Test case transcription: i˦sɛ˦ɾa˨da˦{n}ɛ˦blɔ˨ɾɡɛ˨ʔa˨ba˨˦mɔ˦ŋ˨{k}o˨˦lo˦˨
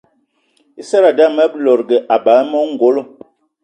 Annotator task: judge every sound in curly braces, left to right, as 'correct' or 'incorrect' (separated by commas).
incorrect, incorrect